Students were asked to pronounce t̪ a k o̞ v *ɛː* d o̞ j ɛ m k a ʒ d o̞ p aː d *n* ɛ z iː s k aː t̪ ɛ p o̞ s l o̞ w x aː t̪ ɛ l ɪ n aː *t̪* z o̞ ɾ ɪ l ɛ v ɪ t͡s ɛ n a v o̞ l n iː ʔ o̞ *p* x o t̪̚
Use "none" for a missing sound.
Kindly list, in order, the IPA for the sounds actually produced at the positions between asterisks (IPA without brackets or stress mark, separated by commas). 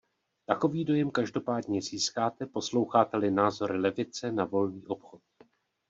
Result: iː, ɲ, none, p